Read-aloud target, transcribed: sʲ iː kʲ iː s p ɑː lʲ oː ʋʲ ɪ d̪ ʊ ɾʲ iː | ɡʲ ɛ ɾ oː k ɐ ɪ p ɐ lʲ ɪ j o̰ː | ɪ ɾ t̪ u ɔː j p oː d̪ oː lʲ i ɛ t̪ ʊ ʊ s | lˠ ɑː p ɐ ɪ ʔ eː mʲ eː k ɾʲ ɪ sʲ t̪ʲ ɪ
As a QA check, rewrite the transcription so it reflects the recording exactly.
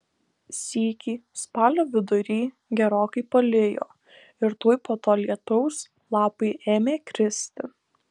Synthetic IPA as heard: sʲ iː kʲ iː s p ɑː lʲ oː ʋʲ ɪ d̪ ʊ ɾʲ iː | ɡʲ ɛ ɾ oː k ɐ ɪ p ɐ lʲ ɪ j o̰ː | ɪ ɾ t̪ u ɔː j p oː t̪ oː lʲ i ɛ t̪ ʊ ʊ s | lˠ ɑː p ɐ ɪ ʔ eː mʲ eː k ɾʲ ɪ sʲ t̪ʲ ɪ